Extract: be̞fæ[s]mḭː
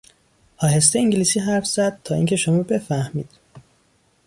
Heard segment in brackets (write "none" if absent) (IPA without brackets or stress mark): h